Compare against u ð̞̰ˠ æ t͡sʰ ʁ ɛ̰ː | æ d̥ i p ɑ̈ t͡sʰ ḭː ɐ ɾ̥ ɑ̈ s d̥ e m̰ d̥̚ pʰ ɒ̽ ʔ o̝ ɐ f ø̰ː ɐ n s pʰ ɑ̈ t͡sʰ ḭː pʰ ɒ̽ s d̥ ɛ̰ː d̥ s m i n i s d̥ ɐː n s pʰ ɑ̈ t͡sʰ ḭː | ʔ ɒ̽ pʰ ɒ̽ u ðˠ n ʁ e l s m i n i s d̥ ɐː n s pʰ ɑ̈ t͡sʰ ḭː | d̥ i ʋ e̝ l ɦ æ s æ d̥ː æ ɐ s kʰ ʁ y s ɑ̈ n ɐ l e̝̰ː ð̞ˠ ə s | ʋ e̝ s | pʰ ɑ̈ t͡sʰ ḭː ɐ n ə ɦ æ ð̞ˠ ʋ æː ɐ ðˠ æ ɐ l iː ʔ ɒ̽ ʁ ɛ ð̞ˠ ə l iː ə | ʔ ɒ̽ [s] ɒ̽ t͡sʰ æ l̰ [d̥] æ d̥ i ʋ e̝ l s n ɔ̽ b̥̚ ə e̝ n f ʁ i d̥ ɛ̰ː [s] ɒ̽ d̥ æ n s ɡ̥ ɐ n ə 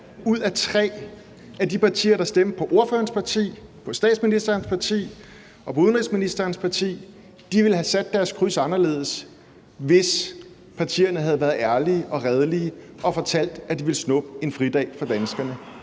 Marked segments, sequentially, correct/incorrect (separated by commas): incorrect, correct, incorrect